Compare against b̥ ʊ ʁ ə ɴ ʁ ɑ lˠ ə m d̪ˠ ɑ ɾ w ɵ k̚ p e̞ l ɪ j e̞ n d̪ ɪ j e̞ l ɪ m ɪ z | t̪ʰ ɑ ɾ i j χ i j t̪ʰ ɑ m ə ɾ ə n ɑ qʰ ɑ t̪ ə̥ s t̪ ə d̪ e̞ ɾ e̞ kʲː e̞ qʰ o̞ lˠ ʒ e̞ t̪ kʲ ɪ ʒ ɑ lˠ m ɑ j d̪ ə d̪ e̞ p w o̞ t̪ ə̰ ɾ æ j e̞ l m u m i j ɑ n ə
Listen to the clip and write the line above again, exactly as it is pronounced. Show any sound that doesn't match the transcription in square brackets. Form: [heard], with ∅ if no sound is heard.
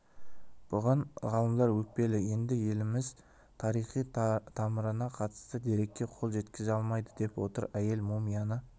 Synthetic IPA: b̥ ʊ ʁ [ɑ] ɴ ʁ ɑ lˠ ə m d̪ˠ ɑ ɾ w ɵ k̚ p e̞ l ɪ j e̞ n d̪ ɪ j e̞ l ɪ m ɪ z | t̪ʰ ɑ ɾ i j χ i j t̪ʰ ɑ m ə ɾ ə n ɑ qʰ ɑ t̪ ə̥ s t̪ ə d̪ e̞ ɾ e̞ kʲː e̞ qʰ o̞ lˠ ʒ e̞ t̪ kʲ ɪ [z] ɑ lˠ m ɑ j d̪ ə d̪ e̞ p w o̞ t̪ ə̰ ɾ æ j e̞ l m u m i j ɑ n ə